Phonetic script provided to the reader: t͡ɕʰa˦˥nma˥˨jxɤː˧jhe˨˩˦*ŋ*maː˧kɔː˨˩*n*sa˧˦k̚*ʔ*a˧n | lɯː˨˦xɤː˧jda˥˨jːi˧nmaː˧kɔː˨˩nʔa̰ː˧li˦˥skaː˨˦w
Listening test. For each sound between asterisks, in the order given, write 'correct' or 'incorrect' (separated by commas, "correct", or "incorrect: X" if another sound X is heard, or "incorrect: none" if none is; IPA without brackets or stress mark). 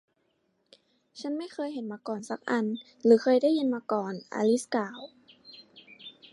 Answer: incorrect: n, correct, correct